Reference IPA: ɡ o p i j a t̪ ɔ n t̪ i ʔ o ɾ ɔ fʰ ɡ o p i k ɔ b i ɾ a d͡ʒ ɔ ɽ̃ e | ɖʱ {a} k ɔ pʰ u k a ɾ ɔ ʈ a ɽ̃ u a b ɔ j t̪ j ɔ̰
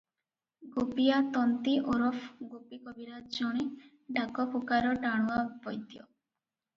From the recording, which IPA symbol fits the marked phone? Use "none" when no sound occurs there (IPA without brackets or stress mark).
a